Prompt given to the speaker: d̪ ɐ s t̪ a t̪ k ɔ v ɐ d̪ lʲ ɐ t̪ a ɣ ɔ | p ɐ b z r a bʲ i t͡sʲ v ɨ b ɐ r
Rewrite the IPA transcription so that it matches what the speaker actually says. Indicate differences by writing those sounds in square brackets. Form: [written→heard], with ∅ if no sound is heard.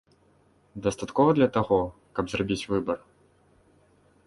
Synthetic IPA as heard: d̪ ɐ s t̪ a t̪ k ɔ v ɐ d̪ lʲ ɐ t̪ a ɣ ɔ | [p→k] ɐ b z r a bʲ i t͡sʲ v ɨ b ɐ r